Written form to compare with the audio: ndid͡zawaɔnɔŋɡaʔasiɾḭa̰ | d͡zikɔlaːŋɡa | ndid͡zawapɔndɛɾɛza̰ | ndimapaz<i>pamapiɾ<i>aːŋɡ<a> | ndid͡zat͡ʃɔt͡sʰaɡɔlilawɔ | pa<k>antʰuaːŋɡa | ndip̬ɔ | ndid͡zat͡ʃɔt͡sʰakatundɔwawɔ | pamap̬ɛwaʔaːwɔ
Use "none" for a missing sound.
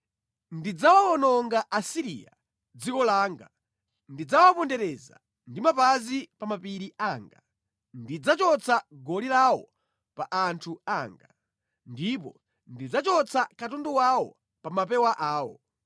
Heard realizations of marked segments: i, i, a, ʔ

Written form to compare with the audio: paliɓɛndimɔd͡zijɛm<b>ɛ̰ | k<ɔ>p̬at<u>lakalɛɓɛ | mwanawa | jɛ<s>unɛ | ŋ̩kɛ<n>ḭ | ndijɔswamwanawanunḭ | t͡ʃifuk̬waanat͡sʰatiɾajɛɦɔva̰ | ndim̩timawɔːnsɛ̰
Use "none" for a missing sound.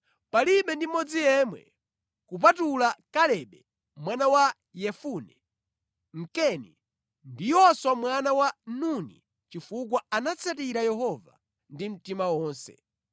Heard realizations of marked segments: w, u, u, f, n

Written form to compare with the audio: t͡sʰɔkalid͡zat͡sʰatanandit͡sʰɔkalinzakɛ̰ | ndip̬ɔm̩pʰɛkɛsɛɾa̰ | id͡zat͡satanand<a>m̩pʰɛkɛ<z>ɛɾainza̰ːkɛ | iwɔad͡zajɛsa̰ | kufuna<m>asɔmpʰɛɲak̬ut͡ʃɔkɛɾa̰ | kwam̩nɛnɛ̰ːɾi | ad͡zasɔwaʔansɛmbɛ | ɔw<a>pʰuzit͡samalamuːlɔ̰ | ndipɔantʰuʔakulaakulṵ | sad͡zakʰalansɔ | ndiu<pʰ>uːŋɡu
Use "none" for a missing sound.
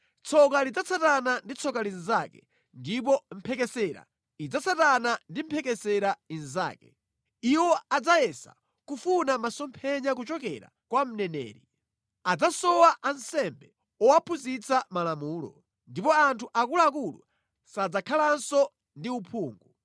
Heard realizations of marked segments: i, s, m, a, pʰ

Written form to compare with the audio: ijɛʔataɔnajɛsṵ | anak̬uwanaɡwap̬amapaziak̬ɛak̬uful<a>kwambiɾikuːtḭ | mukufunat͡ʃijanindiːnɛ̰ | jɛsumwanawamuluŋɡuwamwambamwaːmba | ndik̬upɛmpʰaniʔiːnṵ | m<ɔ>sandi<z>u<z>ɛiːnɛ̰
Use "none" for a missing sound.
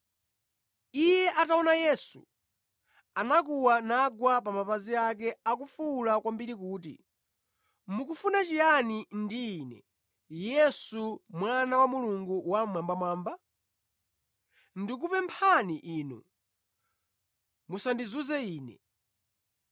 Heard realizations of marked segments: a, u, z, z

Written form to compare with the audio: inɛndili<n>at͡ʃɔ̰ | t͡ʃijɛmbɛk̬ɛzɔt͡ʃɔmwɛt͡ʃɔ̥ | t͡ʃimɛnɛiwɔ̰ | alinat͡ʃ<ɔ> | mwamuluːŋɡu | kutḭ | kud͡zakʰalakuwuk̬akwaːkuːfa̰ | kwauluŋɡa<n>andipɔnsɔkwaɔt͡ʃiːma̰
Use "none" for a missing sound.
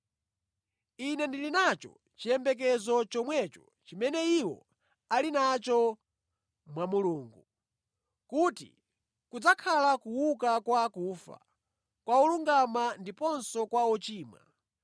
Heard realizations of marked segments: n, ɔ, m

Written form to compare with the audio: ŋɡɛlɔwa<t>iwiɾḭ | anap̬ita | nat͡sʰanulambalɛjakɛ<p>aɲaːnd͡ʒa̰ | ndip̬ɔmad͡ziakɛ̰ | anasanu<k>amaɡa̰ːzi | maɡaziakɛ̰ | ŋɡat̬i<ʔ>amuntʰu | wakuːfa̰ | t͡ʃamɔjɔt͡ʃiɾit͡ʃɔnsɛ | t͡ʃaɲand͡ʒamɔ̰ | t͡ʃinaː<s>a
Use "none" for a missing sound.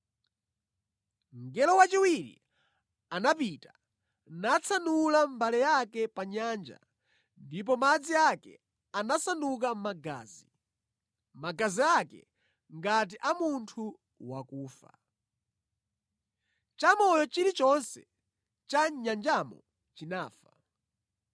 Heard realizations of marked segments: t͡ʃ, p, k, ʔ, f

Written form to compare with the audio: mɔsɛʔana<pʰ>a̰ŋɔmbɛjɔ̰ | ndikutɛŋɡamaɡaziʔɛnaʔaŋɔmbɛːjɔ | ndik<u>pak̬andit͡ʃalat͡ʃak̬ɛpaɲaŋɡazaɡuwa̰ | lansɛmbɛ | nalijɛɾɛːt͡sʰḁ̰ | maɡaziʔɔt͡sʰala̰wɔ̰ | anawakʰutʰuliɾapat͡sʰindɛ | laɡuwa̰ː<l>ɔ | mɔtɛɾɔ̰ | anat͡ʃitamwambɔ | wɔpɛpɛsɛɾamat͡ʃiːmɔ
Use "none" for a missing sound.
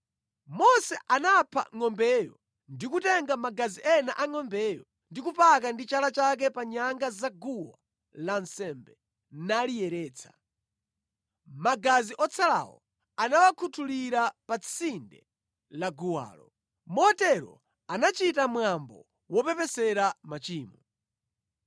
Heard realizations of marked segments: pʰ, u, l

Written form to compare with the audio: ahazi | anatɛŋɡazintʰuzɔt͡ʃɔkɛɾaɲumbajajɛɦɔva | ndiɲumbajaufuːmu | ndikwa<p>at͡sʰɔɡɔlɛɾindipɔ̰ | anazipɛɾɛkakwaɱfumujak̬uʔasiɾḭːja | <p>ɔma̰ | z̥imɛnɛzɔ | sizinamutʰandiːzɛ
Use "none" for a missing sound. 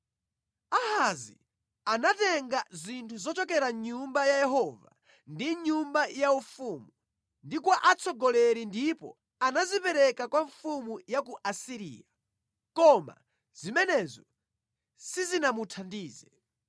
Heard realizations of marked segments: ʔ, k

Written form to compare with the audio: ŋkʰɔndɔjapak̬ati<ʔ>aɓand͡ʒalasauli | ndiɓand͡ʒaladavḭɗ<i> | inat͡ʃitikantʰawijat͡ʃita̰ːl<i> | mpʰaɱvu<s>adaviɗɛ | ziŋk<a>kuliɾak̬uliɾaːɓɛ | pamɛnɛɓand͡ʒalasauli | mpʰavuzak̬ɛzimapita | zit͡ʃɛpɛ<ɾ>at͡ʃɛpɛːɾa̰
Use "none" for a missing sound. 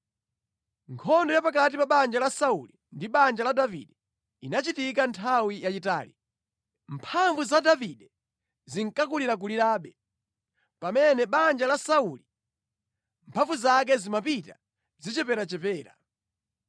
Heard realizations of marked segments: p, ɛ, i, z, a, ɾ

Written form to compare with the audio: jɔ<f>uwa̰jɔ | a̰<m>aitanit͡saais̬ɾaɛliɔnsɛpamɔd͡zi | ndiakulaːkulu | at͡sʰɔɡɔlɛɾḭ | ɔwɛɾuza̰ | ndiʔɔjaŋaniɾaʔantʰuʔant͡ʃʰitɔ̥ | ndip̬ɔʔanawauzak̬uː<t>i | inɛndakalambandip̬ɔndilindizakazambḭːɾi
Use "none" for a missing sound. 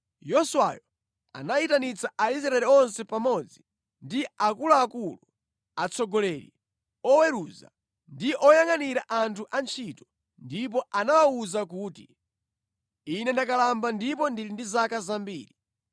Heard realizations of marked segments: s, n, t

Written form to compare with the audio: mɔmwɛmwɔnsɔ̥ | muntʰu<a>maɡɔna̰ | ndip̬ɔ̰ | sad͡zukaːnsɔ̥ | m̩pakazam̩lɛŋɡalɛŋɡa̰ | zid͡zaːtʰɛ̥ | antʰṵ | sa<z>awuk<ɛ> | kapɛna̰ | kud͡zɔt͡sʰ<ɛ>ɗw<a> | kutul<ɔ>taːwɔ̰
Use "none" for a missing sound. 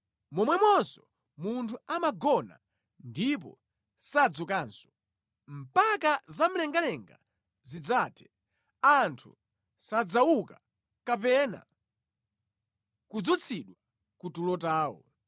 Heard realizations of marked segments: a, d͡z, a, i, a, ɔ

